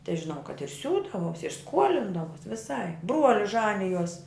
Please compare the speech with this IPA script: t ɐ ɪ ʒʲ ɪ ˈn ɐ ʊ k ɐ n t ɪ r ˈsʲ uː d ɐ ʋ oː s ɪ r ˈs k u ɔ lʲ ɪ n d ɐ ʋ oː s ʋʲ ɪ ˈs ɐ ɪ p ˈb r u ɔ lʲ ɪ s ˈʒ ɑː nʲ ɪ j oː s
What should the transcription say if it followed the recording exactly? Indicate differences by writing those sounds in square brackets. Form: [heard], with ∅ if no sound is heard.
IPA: t ɐ ɪ ʒʲ ɪ ˈn ɐ ʊ k ɐ [∅] t ɪ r ˈsʲ uː d ɐ ʋ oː s ɪ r ˈs k u ɔ lʲ ɪ n d ɐ ʋ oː s ʋʲ ɪ ˈs ɐ ɪ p ˈb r u ɔ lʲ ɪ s ˈʒ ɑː nʲ ɪ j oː s